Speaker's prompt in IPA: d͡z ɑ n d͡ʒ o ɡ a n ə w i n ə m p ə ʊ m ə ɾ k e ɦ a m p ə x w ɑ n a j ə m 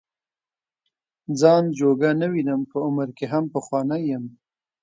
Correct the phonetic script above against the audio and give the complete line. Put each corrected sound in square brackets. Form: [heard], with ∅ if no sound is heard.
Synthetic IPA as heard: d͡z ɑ n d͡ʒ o ɡ a n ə w i n ə m p ə ʊ m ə ɾ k e ɦ a m p ə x w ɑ n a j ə m

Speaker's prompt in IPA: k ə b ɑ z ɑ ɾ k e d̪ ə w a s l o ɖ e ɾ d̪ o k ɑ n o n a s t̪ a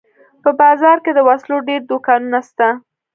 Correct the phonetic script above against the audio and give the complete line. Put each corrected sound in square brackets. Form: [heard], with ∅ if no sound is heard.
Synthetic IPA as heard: [p] ə b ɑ z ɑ ɾ k e d̪ ə w a s l o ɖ e ɾ d̪ o k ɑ n [u] n a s t̪ a

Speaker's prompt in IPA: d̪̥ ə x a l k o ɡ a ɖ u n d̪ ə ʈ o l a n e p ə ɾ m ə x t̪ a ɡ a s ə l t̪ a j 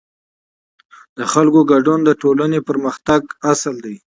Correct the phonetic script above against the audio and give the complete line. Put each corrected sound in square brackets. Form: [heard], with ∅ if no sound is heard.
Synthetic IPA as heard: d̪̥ ə x a l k o ɡ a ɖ u n d̪ ə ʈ o l a n e p ə ɾ m ə x t̪ a ɡ a s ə l [d̪] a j

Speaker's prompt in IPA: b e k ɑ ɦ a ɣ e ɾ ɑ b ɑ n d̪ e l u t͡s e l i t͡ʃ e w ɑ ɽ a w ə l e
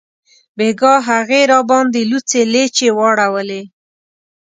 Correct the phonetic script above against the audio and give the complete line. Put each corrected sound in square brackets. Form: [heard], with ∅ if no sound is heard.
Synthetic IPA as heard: b e [ɡ] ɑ ɦ a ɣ e ɾ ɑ b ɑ n d̪ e l u t͡s e l [e] t͡ʃ e w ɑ ɽ a w ə l e

